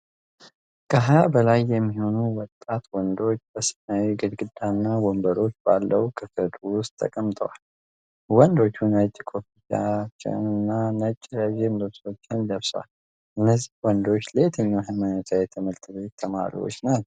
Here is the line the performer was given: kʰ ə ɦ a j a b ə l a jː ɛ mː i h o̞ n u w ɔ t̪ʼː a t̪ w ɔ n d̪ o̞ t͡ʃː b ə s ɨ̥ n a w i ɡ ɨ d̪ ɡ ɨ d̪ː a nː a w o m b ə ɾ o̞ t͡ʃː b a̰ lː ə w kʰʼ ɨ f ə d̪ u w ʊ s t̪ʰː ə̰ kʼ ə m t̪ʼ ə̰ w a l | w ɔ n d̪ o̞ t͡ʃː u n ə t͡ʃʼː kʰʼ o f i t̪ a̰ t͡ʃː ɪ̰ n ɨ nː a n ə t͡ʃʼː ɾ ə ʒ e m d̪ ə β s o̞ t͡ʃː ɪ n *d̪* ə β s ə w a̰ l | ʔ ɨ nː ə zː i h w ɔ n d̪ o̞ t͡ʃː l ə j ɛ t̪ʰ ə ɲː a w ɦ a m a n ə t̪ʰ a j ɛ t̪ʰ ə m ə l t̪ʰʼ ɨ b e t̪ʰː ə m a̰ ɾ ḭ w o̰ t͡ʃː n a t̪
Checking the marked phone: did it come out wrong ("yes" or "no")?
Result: no